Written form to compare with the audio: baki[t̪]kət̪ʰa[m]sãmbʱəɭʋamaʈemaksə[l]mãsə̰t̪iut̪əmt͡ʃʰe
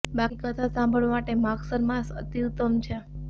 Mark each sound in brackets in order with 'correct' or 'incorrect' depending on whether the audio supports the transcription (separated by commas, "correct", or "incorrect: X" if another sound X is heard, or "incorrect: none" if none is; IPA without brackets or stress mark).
incorrect: none, incorrect: none, incorrect: ɾ